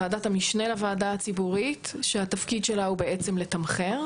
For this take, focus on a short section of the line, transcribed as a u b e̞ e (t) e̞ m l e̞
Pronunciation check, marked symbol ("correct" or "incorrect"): incorrect